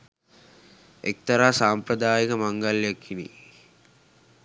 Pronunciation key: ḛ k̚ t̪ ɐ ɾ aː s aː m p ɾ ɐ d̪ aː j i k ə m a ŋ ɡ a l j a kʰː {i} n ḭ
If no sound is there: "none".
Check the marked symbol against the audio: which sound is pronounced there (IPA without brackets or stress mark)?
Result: i